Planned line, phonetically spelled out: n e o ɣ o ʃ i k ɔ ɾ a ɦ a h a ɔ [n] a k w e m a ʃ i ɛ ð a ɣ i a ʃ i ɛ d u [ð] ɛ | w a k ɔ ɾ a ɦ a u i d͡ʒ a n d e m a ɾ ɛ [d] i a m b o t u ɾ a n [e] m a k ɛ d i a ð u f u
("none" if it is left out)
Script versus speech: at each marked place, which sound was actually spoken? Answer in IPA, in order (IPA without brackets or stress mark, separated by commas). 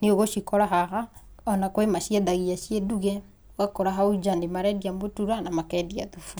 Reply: n, ɣ, d, a